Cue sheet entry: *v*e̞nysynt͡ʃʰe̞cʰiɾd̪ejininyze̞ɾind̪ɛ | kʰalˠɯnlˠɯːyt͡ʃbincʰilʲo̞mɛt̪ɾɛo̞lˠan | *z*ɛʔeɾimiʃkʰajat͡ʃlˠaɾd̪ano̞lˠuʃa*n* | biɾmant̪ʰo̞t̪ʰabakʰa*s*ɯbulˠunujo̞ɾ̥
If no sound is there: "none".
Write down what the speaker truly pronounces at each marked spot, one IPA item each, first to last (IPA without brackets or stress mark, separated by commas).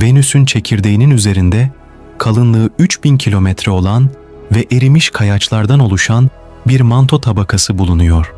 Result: v, v, n, s